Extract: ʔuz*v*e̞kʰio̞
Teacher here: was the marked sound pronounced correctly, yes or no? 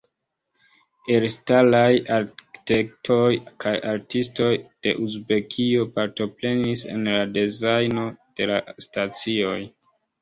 no